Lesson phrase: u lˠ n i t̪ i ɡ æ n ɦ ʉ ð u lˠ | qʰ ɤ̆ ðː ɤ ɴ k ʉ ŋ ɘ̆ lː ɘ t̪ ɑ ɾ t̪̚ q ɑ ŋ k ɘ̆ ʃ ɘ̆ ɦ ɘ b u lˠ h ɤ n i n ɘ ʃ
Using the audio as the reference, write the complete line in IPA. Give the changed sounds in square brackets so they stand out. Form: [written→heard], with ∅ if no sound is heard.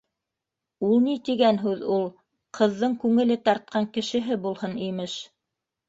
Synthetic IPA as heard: u lˠ n i t̪ i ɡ æ n ɦ ʉ ð u lˠ | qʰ ɤ̆ ðː ɤ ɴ k ʉ ŋ ɘ̆ [lː→l] ɘ t̪ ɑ ɾ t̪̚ q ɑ ŋ k ɘ̆ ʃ ɘ̆ ɦ ɘ b u lˠ h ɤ n i [n→m] ɘ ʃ